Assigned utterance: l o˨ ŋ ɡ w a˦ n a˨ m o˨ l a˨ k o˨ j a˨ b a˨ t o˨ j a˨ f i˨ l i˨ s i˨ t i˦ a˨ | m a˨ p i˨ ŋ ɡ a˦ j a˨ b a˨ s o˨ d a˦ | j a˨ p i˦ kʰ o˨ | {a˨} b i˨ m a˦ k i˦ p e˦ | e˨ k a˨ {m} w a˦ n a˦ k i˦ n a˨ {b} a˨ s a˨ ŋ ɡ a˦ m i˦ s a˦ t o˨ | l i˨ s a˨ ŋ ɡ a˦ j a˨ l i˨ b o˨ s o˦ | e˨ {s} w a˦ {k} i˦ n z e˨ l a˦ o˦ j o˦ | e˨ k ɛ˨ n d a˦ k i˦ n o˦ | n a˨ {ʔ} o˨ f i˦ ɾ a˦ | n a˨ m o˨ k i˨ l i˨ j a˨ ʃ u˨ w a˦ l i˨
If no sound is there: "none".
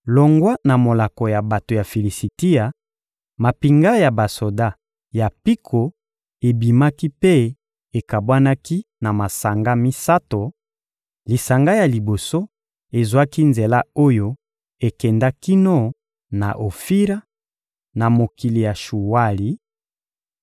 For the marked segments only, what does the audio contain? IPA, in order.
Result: e˨, b, m, z, k, ʔ

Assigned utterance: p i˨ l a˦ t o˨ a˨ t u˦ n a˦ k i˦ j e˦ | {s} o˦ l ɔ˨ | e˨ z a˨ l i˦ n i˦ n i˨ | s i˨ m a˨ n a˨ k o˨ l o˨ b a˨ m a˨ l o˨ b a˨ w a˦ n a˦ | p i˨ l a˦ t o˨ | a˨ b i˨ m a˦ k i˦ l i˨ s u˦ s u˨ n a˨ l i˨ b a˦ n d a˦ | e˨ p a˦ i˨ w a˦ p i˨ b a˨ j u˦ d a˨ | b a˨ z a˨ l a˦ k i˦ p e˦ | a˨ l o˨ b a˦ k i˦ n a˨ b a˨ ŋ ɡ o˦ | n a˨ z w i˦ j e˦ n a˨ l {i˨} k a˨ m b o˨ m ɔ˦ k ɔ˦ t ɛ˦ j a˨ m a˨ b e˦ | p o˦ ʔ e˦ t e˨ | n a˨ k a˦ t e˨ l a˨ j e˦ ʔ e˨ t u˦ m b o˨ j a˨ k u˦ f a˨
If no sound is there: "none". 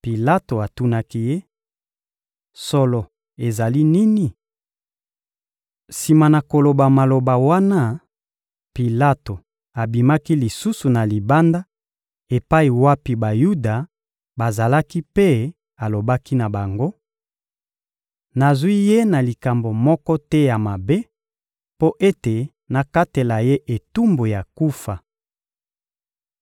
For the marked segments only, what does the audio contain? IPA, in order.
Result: s, i˨

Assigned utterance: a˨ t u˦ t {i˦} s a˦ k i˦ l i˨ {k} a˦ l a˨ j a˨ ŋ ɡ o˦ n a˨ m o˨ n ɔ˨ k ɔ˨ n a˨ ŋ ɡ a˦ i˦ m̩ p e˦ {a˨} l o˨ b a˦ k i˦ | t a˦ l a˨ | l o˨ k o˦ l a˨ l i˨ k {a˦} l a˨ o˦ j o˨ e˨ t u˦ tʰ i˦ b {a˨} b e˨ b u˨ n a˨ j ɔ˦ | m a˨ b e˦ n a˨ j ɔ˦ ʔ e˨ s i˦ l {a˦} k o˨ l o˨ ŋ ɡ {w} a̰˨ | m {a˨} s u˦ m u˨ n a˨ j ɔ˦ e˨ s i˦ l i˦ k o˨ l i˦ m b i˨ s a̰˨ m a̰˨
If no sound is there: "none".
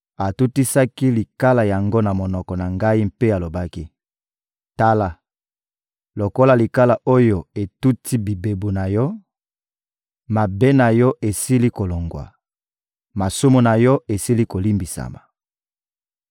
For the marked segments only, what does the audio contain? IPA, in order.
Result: i˦, k, a˨, a˦, i˨, i˦, w, a˨

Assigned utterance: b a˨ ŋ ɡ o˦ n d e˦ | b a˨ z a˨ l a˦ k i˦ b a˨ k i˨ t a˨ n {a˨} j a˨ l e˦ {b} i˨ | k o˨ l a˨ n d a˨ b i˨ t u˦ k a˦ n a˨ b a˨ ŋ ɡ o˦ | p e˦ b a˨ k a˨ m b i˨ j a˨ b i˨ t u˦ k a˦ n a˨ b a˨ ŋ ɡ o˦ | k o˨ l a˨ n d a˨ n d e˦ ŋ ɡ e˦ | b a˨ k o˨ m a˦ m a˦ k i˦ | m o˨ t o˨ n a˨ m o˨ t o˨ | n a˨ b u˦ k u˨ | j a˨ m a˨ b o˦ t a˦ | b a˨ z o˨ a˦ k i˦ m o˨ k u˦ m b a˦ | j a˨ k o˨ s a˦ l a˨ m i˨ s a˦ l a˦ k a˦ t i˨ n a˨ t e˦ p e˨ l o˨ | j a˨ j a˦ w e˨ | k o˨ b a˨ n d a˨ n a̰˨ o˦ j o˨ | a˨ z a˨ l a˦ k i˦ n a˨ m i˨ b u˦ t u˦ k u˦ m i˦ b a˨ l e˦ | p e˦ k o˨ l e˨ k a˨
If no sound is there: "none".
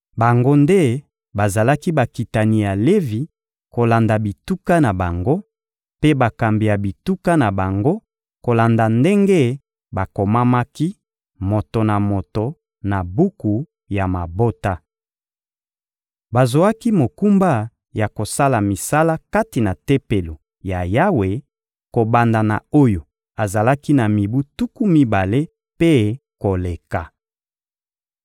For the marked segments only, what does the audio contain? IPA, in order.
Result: i˨, v

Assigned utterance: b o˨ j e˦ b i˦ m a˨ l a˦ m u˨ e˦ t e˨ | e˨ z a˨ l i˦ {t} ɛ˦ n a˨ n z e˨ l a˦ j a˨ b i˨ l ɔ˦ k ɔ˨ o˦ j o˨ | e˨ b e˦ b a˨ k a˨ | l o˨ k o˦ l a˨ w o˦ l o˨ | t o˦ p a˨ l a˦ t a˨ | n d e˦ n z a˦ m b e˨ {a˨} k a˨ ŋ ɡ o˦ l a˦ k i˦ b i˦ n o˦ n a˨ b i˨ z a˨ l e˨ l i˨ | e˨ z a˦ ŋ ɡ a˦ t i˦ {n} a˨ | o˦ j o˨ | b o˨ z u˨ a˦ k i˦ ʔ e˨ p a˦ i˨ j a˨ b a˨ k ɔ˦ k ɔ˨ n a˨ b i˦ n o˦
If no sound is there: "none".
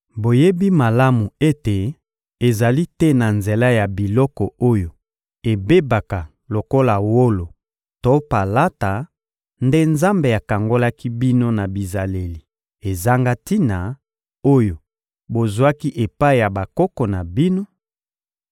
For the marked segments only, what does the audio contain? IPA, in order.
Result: t, a˨, n

